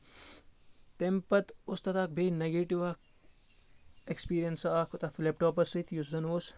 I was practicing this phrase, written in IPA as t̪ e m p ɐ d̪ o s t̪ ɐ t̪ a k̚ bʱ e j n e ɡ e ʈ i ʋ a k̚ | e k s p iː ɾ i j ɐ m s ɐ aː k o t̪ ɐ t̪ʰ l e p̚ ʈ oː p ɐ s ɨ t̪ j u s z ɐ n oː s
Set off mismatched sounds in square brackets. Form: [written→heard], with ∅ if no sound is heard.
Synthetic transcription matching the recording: t̪ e m p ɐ [d̪→t̪] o s t̪ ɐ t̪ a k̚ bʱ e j n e ɡ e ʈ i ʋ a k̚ | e k s p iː ɾ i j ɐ [m→n] s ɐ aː k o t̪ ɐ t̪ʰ l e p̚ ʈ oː p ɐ s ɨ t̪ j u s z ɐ n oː s